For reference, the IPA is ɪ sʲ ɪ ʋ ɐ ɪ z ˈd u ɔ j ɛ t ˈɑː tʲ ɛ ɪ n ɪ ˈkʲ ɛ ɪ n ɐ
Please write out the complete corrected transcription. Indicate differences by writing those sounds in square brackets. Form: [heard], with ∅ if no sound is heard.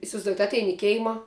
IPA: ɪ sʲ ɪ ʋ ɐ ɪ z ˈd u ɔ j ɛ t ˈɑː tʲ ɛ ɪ n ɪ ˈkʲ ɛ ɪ [m] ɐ